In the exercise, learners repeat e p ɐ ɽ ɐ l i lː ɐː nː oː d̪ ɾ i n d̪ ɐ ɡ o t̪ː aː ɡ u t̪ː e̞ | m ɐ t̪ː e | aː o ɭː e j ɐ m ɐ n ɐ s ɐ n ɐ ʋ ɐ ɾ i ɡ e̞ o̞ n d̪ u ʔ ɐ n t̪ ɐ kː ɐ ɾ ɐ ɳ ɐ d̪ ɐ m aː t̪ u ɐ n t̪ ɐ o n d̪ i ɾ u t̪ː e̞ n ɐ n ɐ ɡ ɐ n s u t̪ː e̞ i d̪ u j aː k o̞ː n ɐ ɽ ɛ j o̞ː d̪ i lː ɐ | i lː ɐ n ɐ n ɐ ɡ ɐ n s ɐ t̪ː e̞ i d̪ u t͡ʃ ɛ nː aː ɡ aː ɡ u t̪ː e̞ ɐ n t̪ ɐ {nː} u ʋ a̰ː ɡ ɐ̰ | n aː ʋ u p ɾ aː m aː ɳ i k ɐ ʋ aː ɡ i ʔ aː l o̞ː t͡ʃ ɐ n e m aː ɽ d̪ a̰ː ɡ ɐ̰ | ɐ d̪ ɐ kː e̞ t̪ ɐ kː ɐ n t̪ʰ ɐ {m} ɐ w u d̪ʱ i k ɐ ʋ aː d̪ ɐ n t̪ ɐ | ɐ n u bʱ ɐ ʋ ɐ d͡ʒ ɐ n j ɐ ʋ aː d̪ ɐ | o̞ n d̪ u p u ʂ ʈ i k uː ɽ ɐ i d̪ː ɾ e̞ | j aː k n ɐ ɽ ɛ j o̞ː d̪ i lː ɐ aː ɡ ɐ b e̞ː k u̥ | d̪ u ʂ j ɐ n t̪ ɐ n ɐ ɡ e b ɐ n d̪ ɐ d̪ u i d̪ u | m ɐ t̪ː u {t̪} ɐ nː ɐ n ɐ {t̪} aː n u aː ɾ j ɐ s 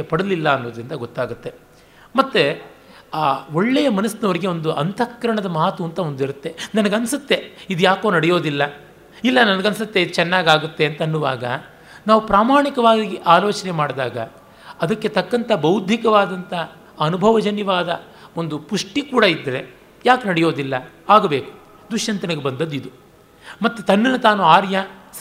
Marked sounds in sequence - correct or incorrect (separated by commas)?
correct, incorrect, correct, correct